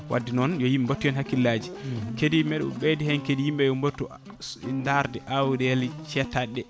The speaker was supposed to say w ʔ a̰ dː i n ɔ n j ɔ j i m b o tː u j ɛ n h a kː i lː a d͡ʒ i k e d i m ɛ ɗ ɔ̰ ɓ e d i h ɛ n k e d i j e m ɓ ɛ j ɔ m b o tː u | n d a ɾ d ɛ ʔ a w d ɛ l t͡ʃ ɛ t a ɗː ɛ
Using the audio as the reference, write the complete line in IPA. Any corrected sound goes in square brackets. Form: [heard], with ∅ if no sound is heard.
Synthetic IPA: w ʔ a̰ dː i n ɔ n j ɔ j i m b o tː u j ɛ n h a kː i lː a d͡ʒ i k e d i m ɛ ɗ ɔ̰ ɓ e d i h ɛ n k e d i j [i] m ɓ ɛ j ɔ m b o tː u | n d a ɾ d ɛ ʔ a w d ɛ l t͡ʃ ɛ t a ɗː ɛ